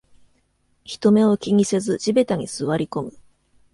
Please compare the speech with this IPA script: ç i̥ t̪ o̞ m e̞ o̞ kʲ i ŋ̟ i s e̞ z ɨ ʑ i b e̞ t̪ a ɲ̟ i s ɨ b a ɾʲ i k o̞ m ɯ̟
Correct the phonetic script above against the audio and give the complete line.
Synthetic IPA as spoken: ç i̥ t̪ o̞ m e̞ o̞ kʲ i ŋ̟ i s e̞ z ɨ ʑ i b e̞ t̪ a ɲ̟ i s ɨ β a ɾʲ i k o̞ m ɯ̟